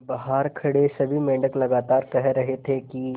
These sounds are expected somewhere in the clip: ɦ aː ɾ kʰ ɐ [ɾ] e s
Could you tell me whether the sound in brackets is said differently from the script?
yes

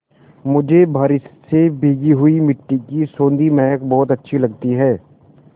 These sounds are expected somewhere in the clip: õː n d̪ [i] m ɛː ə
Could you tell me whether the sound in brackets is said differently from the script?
no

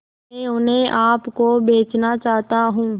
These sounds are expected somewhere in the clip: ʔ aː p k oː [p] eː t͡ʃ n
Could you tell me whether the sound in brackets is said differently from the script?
yes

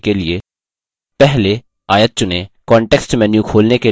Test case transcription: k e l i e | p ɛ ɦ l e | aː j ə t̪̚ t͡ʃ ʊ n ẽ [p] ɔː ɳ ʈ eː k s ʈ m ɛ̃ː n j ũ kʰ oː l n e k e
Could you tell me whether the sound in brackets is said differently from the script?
yes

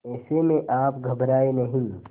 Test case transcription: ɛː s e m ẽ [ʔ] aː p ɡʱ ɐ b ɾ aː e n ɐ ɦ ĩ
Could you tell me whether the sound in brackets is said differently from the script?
no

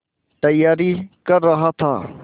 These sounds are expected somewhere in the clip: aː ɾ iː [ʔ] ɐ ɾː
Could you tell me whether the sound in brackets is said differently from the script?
yes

